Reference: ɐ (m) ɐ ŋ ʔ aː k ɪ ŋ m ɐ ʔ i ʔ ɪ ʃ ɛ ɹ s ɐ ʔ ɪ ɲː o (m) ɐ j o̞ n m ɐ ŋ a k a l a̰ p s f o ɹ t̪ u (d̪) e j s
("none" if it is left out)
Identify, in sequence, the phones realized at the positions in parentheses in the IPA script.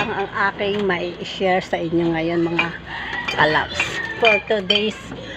ŋ, ŋ, d̪

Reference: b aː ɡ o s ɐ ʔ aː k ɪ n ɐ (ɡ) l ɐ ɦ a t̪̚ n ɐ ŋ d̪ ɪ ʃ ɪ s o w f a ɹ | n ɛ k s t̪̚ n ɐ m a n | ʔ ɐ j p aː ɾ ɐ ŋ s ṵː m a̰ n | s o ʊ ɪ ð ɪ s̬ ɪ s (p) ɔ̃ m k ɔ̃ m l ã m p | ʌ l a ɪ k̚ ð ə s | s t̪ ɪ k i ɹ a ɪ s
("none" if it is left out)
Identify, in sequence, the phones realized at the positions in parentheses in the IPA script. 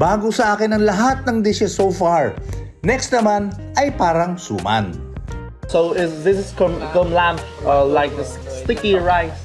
ŋ, k

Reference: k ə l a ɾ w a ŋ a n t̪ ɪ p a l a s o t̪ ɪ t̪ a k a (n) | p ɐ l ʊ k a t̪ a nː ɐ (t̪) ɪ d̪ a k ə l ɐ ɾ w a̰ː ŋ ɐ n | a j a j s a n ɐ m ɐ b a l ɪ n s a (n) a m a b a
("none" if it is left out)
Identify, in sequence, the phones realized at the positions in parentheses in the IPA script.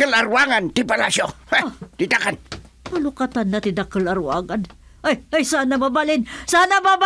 n, t̪, n

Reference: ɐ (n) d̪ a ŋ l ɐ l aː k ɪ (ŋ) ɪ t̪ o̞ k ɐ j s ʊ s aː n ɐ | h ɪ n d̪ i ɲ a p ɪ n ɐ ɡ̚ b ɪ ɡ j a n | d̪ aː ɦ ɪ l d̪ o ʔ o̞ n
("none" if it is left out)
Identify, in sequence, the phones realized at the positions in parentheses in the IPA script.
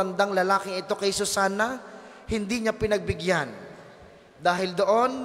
n, ŋ

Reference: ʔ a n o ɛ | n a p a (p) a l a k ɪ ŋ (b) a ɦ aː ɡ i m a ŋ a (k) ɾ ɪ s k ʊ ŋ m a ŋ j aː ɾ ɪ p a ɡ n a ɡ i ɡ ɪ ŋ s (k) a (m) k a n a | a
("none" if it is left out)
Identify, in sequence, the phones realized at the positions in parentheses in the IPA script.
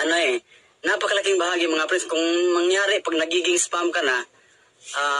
k, b, p, p, m

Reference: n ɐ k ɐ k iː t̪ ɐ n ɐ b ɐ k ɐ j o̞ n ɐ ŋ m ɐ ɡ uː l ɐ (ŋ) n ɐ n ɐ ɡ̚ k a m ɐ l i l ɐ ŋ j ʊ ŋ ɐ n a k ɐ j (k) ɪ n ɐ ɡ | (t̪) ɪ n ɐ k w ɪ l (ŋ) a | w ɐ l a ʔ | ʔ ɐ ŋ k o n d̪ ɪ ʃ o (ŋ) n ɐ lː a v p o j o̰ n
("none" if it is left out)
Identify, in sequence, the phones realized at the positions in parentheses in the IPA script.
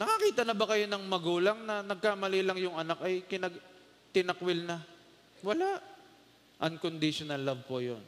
ŋ, k, t̪, n, none

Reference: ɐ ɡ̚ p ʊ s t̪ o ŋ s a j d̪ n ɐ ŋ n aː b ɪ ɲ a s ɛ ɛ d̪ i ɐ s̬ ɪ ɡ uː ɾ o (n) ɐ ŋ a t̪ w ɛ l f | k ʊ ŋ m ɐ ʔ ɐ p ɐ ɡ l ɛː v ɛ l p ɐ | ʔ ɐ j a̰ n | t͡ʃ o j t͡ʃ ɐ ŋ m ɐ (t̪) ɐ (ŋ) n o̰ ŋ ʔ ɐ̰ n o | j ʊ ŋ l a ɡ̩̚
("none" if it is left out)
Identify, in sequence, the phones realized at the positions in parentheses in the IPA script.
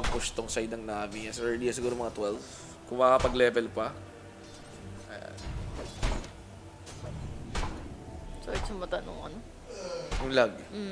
m, t̪, none

